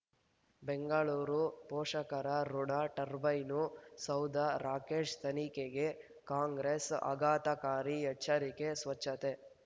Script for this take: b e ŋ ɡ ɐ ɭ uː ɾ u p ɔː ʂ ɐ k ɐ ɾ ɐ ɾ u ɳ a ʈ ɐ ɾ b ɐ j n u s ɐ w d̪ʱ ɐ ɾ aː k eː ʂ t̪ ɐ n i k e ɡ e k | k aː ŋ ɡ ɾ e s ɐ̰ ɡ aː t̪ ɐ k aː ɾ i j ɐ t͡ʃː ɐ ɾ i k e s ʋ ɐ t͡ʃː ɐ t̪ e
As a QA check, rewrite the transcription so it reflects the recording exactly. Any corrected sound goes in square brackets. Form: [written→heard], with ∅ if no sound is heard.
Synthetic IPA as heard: b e ŋ ɡ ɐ ɭ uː ɾ u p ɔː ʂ ɐ k ɐ ɾ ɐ ɾ u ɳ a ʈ ɐ ɾ b ɐ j n u s ɐ w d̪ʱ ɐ ɾ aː k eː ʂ t̪ ɐ n i k e ɡ e [k→∅] | k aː ŋ ɡ ɾ e s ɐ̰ ɡ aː t̪ ɐ k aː ɾ i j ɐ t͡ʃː ɐ ɾ i k e s ʋ ɐ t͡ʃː ɐ t̪ e

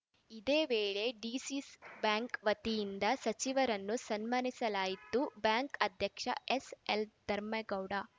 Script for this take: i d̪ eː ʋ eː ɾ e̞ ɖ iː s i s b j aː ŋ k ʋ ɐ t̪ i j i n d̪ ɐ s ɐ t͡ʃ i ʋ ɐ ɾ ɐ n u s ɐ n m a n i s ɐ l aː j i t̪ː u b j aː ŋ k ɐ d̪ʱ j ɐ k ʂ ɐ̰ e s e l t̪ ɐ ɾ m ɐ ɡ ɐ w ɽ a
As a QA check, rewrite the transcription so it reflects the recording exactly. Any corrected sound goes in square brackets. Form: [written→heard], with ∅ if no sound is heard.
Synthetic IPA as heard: i d̪ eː ʋ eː [ɾ→ɭ] e̞ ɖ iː s i s b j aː ŋ k ʋ ɐ t̪ i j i n d̪ ɐ s ɐ t͡ʃ i ʋ ɐ ɾ ɐ [n→nː] u s ɐ n m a n i s ɐ l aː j i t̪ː u b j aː ŋ k ɐ d̪ʱ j ɐ k ʂ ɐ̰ e s e l [t̪→d̪] ɐ ɾ m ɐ ɡ ɐ w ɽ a

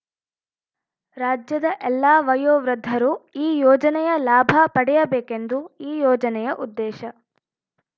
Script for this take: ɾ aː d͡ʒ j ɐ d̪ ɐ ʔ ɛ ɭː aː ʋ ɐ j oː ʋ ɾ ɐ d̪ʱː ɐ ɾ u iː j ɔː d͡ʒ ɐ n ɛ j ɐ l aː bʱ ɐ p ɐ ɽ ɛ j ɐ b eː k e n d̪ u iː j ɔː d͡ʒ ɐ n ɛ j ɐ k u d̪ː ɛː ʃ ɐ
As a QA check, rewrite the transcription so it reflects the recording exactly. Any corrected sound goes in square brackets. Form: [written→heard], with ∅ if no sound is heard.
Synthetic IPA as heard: ɾ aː d͡ʒ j ɐ d̪ ɐ ʔ ɛ [ɭː→lː] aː ʋ ɐ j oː ʋ ɾ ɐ d̪ʱː ɐ ɾ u iː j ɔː d͡ʒ ɐ n ɛ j ɐ l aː bʱ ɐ p ɐ ɽ ɛ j ɐ b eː k e n d̪ u iː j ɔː d͡ʒ ɐ n ɛ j ɐ [k→ʔ] u d̪ː ɛː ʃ ɐ

